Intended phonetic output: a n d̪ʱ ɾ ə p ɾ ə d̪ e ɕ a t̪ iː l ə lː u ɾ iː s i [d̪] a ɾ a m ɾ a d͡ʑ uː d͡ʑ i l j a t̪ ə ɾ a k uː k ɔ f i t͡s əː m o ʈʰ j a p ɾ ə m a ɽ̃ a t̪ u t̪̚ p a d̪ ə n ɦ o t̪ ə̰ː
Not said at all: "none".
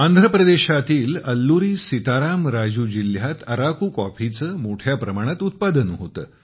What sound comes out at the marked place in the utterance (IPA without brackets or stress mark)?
t̪